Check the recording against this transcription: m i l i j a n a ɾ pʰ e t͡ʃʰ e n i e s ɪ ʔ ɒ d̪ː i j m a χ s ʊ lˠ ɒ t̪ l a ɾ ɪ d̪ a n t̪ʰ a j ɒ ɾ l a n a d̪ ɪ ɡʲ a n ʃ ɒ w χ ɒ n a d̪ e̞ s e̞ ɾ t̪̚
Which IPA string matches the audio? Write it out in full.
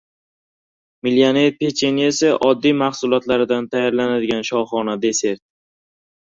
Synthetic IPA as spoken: m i l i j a n e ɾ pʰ e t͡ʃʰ e n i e s ɪ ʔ ɒ d̪ː i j m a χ s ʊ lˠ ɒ t̪ l a ɾ ɪ d̪ a n t̪ʰ a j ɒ ɾ l a n a d̪ ɪ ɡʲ a n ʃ ɒ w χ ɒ n a d̪ e̞ s e̞ ɾ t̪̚